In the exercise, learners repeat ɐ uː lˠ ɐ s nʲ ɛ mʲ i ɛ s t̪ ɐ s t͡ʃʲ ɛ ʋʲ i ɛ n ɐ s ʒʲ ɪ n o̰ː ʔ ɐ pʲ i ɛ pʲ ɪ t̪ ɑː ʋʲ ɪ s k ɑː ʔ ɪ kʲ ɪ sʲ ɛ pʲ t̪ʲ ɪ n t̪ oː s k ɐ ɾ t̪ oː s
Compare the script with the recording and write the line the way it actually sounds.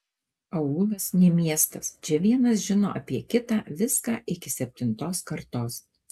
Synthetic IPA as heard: ɐ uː lˠ ɐ s nʲ ɛ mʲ i ɛ s t̪ ɐ s t͡ʃʲ ɛ ʋʲ i ɛ n ɐ s ʒʲ ɪ n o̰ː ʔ ɐ pʲ i ɛ kʲ ɪ t̪ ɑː ʋʲ ɪ s k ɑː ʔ ɪ kʲ ɪ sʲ ɛ pʲ t̪ʲ ɪ n t̪ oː s k ɐ ɾ t̪ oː s